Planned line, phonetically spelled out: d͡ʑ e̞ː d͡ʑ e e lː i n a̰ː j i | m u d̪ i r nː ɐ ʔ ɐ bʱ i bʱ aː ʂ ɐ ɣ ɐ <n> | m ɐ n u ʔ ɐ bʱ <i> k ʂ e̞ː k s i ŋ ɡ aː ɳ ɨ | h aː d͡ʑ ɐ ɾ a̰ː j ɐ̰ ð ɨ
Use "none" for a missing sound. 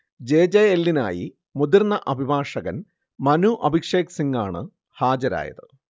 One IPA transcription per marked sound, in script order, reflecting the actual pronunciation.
n, i

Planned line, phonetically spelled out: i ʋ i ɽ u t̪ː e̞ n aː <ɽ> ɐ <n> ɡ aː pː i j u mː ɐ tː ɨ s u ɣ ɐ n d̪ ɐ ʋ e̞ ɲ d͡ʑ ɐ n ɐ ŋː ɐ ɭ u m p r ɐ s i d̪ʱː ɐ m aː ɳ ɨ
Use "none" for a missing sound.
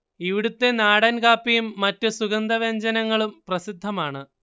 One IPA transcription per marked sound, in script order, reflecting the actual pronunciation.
ɽ, n

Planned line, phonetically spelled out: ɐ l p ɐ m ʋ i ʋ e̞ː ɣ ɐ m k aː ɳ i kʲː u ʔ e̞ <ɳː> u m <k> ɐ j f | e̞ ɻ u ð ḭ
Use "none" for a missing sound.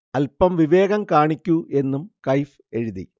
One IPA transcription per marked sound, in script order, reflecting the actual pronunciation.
nː, k

